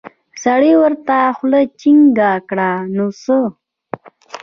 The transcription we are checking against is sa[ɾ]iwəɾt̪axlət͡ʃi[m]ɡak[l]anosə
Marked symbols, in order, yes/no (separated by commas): no, no, no